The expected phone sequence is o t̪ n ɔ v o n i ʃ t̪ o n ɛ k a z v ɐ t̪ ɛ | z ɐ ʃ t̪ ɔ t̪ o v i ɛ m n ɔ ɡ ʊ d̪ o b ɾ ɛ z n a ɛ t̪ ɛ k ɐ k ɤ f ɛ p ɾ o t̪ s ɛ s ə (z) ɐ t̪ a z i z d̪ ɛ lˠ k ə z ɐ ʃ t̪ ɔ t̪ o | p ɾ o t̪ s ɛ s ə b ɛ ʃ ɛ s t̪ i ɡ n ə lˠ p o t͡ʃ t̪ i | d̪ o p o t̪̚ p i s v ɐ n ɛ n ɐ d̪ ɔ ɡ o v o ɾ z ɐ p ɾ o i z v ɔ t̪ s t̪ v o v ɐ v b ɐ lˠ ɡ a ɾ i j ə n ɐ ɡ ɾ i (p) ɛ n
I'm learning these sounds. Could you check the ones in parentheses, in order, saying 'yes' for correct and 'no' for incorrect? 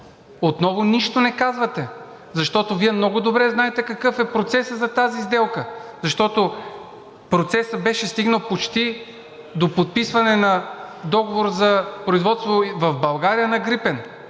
yes, yes

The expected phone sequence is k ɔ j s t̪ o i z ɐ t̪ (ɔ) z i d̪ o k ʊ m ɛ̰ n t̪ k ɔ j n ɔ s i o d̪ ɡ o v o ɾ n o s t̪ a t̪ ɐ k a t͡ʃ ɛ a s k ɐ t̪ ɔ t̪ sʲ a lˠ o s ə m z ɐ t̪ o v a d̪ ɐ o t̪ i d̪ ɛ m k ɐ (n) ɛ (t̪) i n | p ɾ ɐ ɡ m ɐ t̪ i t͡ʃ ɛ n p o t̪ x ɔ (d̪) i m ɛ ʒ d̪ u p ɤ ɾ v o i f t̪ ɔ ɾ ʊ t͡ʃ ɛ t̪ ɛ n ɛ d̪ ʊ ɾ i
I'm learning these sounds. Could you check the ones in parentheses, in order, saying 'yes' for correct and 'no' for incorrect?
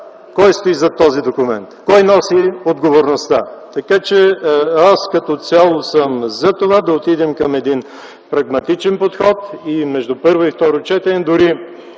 yes, no, no, no

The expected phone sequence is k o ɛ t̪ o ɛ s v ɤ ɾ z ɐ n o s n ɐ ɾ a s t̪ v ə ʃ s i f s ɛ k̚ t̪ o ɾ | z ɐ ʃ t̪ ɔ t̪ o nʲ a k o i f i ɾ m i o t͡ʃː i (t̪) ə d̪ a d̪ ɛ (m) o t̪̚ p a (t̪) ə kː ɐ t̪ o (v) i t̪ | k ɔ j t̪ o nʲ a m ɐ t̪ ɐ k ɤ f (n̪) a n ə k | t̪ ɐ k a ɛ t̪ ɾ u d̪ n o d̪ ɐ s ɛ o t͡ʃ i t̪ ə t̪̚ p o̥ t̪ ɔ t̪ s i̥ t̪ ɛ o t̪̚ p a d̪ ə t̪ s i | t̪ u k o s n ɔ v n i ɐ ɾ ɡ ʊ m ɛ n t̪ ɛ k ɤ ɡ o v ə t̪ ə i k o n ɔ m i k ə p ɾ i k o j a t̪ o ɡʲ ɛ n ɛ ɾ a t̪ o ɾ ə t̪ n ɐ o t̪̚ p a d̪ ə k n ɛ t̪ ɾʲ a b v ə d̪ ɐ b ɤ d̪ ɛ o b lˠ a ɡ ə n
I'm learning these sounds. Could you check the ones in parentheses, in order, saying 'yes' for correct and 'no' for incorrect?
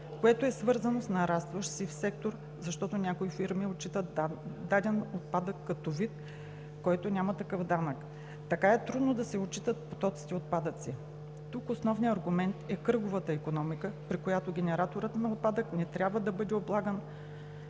yes, no, no, yes, no

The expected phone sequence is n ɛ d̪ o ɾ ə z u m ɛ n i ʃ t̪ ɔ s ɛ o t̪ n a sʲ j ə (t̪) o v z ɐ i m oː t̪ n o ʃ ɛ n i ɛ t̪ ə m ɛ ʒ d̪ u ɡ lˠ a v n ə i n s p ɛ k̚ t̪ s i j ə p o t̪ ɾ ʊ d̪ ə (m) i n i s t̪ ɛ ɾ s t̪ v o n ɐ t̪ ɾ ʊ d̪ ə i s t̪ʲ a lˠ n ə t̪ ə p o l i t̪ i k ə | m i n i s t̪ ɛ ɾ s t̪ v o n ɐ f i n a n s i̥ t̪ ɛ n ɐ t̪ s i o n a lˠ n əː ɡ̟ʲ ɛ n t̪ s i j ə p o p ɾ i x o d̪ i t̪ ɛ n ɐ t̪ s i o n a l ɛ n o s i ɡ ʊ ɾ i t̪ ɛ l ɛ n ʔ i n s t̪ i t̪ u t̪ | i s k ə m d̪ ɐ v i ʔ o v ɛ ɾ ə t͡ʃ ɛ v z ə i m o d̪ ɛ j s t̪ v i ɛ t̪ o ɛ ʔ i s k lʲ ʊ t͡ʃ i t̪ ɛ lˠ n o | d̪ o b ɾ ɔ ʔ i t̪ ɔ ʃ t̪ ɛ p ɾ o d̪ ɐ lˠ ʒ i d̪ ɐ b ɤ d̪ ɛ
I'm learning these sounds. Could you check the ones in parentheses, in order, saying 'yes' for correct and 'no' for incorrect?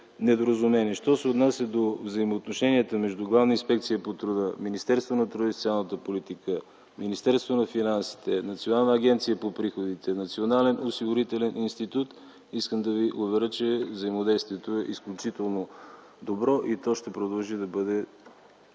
no, yes

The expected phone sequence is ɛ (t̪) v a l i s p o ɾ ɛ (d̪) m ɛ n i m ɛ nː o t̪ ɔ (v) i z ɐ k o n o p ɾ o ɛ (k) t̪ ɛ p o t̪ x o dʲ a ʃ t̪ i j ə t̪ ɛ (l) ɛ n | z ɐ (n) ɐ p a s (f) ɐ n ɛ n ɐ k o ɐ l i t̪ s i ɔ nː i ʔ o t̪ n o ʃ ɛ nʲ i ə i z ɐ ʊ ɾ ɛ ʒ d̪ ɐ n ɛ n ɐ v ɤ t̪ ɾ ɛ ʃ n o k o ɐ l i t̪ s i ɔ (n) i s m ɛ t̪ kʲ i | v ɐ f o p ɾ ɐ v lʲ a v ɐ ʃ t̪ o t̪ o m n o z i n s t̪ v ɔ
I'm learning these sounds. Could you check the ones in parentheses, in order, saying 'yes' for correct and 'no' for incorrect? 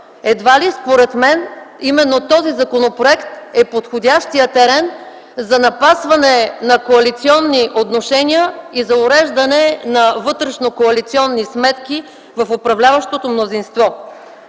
no, no, no, yes, no, yes, no, no

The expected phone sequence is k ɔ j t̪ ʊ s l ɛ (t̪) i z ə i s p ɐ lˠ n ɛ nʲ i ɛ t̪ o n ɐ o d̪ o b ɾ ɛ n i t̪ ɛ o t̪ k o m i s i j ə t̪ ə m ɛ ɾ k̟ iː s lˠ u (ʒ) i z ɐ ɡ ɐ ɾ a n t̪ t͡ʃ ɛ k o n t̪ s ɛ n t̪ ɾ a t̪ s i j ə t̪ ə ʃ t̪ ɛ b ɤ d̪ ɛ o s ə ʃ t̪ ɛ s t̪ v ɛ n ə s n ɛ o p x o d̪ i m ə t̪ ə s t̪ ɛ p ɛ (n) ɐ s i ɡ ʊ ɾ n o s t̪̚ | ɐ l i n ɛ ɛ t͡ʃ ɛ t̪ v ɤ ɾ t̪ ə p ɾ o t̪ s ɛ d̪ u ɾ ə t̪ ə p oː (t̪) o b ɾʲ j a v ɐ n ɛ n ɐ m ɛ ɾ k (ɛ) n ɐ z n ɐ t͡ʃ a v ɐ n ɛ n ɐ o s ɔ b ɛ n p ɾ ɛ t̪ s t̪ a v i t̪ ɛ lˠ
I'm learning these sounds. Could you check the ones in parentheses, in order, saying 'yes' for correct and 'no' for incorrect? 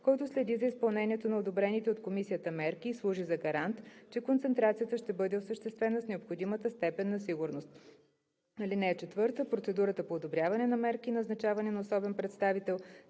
no, yes, no, no, no

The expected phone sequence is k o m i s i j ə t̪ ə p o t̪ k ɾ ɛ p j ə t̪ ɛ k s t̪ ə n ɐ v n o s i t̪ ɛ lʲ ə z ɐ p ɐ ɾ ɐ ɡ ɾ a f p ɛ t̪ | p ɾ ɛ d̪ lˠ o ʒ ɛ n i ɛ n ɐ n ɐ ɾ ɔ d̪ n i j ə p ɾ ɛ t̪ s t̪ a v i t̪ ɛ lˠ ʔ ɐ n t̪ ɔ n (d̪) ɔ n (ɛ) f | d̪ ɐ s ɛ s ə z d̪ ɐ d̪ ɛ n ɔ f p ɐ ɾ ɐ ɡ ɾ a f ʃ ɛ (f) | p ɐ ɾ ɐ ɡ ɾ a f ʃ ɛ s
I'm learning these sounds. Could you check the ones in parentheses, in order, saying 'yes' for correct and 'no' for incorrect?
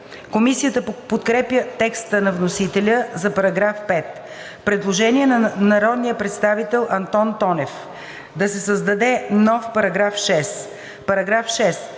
no, yes, no

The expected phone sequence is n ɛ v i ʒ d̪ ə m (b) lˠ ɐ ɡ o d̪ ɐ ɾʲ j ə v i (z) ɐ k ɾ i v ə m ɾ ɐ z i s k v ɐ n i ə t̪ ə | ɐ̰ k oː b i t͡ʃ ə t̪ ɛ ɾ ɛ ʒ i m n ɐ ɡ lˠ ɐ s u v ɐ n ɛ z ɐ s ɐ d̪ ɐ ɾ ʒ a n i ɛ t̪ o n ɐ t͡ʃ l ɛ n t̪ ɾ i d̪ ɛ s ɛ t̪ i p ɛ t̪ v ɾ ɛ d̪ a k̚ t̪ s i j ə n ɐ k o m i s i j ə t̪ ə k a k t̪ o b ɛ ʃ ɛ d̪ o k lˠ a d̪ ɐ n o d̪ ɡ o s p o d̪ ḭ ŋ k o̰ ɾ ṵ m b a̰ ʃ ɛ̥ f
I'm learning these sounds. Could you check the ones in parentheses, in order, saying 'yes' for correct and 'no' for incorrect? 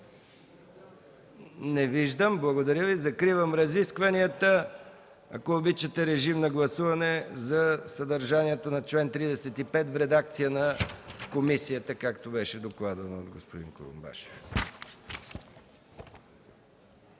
yes, yes

